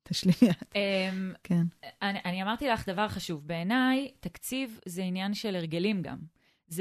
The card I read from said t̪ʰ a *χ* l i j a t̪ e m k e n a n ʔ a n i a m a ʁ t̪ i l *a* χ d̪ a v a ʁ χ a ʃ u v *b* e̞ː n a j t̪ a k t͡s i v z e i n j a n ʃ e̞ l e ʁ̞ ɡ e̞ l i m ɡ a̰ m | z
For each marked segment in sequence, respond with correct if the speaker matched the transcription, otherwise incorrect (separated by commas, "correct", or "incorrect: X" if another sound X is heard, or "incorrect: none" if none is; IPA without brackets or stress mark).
incorrect: ʃ, correct, correct